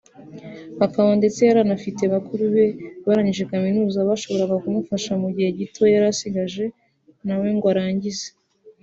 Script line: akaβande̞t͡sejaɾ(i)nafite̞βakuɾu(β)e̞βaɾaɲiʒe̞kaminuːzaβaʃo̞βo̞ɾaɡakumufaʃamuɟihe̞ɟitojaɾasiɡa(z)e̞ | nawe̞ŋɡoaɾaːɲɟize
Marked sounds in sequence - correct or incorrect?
incorrect: a, correct, incorrect: ʒ

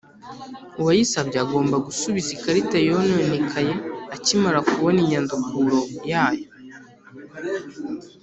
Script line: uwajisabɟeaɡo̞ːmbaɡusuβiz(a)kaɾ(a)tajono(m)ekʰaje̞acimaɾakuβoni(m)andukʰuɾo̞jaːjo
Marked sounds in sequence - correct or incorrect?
incorrect: i, incorrect: i, incorrect: n, incorrect: ɲ

